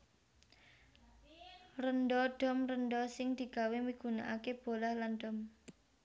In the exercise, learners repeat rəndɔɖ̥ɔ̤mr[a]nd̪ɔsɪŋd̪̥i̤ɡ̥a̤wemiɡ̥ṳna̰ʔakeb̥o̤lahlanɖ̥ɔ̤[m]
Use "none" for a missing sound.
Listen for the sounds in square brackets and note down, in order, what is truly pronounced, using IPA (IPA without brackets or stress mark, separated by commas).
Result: ə, m